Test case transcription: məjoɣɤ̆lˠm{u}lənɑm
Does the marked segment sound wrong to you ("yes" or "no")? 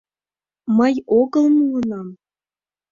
no